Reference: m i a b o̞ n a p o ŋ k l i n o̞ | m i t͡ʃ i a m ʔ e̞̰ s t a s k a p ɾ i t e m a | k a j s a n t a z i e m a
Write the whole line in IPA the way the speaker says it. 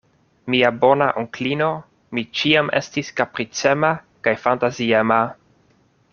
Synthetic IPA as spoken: m i a b o̞ n a ʔ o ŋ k l i n o̞ | m i t͡ʃ i a m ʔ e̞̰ s t i s k a p ɾ i t͡s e m a | k a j f a n t a z i e m a